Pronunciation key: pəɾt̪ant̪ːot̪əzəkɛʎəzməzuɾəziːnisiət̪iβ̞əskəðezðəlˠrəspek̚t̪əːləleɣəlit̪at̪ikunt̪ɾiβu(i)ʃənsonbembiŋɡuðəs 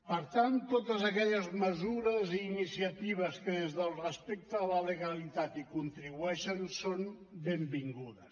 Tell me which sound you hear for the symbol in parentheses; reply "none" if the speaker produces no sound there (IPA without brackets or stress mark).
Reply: ɛ